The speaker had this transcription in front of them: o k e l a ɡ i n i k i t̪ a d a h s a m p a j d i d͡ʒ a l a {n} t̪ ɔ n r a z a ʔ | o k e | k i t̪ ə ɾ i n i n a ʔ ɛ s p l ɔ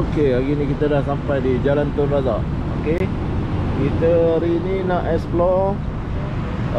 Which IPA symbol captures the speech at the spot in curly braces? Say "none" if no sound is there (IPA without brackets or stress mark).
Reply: n